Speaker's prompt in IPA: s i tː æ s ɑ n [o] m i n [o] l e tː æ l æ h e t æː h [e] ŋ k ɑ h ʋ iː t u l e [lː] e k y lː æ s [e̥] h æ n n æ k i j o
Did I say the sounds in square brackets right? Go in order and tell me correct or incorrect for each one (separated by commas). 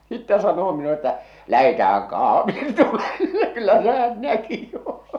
incorrect, incorrect, incorrect, correct, correct